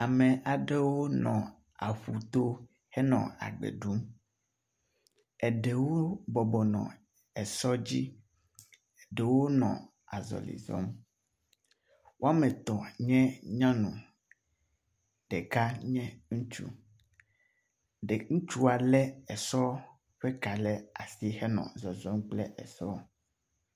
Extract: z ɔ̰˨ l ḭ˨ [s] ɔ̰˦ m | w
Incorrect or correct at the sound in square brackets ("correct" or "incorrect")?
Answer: incorrect